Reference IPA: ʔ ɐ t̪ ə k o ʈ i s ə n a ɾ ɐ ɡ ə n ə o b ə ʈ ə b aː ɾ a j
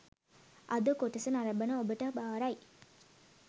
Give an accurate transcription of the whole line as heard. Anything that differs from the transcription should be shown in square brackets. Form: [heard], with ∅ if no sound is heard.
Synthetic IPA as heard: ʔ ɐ [d̪] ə k o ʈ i s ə n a ɾ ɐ [b] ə n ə o b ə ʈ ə b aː ɾ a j